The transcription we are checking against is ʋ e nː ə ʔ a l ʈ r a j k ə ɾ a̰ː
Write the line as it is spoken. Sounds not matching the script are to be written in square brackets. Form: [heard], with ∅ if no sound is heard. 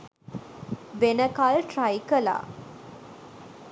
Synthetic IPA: ʋ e [n] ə [k] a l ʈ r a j k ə [l] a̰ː